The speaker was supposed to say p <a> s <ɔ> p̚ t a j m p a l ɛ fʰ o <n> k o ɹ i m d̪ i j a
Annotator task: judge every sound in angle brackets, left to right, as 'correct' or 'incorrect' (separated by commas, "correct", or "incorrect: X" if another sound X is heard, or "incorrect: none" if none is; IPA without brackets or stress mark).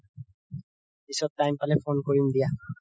incorrect: i, correct, correct